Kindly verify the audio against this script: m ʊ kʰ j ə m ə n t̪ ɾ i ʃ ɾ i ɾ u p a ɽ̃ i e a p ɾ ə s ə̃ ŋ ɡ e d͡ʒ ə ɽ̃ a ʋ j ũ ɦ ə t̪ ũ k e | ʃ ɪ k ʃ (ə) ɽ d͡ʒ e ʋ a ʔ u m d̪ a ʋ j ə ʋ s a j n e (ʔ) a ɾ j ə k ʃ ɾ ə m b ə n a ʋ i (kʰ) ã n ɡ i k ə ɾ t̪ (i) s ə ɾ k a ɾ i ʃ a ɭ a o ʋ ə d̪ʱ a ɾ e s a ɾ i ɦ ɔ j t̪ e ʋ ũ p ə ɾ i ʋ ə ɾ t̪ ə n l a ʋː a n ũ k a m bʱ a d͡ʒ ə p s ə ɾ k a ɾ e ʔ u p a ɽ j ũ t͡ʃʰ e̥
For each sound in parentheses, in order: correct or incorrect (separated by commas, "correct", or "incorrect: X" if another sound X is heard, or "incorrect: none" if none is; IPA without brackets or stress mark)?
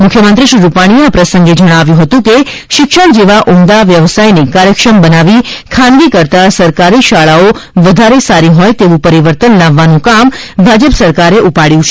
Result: correct, incorrect: k, correct, incorrect: a